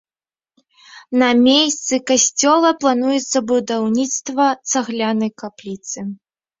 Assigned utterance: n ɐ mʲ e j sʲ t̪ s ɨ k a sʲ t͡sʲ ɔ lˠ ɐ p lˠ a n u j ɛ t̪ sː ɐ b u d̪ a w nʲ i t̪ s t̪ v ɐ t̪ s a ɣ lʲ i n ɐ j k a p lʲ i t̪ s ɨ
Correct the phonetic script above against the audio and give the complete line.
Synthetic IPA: n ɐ mʲ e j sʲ t̪ s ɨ k a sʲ t͡sʲ ɔ lˠ ɐ p lˠ a n u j ɛ t̪ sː ɐ b u d̪ a w nʲ i t̪ s t̪ v ɐ t̪ s a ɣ lʲ a n ɐ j k a p lʲ i t̪ s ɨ